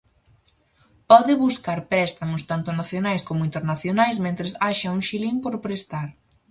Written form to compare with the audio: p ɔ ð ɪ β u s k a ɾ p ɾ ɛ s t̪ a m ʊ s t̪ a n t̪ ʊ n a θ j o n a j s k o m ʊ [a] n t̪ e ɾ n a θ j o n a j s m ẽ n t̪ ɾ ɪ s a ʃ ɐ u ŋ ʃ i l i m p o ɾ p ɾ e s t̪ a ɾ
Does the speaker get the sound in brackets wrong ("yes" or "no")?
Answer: yes